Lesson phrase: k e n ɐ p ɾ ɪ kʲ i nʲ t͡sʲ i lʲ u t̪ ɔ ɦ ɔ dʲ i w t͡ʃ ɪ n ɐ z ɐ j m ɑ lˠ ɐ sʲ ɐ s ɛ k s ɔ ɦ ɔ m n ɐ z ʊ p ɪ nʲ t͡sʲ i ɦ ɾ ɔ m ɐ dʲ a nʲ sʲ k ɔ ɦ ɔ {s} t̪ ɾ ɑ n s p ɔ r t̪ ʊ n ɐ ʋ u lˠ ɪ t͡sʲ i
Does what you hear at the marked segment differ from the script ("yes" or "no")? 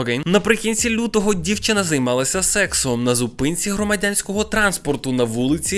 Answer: yes